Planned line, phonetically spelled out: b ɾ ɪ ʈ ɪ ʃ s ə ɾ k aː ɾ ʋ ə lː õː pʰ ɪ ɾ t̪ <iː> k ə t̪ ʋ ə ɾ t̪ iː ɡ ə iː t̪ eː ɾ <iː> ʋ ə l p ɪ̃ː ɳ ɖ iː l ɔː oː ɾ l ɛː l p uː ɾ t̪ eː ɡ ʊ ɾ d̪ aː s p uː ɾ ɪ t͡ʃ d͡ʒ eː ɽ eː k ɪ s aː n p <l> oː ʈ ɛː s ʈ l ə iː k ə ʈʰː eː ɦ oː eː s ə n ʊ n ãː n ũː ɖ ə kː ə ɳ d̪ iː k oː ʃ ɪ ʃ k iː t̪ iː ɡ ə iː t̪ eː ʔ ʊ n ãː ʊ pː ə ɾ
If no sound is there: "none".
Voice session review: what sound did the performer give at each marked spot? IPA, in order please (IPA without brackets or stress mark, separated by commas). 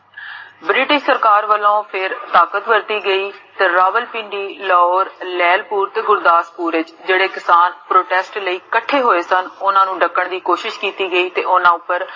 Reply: aː, aː, ɾ